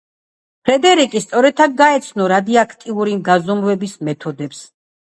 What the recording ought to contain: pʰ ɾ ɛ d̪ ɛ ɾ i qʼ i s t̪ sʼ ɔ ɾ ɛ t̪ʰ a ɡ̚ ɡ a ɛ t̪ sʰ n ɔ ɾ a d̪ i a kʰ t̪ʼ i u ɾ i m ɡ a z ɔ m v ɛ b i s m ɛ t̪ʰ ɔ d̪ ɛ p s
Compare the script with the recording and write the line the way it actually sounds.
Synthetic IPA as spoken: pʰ ɾ ɛ d̪ ɛ ɾ i kʼ i s t̪ sʼ ɔ ɾ ɛ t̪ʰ a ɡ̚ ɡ a ɛ t̪ sʰ n ɔ ɾ a d̪ i a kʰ t̪ʼ i u ɾ i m ɡ a z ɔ m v ɛ b i s m ɛ t̪ʰ ɔ d̪ ɛ p s